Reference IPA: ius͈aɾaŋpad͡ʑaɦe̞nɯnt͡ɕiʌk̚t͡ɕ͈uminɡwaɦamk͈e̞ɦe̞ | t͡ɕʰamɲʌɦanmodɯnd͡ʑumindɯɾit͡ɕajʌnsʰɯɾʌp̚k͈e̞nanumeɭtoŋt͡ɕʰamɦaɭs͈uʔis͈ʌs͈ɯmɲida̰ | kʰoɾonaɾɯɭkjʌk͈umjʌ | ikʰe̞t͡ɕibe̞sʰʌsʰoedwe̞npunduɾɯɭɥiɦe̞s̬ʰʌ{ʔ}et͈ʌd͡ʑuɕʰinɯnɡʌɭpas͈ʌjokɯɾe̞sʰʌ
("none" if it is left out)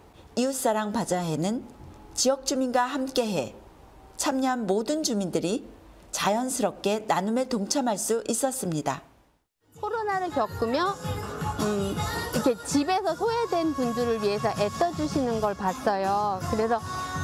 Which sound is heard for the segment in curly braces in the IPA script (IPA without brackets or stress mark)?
ʔ